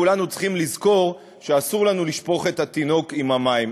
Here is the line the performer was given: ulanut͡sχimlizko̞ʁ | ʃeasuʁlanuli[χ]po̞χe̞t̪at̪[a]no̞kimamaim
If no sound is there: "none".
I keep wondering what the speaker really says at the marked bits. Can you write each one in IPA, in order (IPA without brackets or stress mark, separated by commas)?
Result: ʃ, i